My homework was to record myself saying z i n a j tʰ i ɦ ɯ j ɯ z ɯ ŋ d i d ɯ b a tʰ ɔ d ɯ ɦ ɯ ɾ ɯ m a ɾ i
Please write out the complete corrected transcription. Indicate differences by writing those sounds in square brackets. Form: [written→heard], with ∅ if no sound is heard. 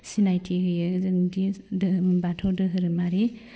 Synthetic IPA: [z→s] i n a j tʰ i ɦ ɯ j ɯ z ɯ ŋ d i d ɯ b a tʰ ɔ d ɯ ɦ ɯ ɾ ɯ m a ɾ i